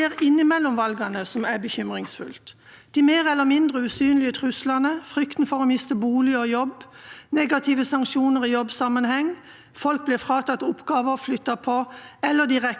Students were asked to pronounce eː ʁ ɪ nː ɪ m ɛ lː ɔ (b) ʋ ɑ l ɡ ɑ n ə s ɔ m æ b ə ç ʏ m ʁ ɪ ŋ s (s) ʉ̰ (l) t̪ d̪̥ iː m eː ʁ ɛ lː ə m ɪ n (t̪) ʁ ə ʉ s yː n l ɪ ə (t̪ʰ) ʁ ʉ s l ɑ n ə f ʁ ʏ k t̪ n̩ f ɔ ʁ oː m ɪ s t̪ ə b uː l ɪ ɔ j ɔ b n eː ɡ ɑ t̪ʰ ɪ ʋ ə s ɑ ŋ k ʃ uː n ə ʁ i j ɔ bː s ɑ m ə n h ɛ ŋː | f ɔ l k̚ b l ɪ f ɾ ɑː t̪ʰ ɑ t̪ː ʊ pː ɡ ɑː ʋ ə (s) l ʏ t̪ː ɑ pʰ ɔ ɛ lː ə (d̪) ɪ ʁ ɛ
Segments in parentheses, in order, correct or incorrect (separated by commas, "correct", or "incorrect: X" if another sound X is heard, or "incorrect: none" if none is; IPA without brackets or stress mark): incorrect: m, incorrect: f, correct, incorrect: d̪, correct, incorrect: f, correct